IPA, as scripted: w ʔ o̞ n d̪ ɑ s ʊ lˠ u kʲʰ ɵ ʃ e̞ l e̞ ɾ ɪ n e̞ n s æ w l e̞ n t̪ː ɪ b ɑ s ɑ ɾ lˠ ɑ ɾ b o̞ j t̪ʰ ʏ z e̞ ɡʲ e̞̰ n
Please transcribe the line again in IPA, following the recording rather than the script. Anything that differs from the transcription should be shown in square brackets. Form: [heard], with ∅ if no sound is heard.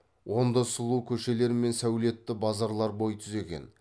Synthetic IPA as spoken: w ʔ o̞ n d̪ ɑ s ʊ lˠ u kʲʰ ɵ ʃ e̞ l e̞ ɾ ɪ [m] e̞ n s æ w l e̞ [∅] t̪ː ɪ b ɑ [z] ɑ ɾ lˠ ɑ ɾ b o̞ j t̪ʰ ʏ z e̞ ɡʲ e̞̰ n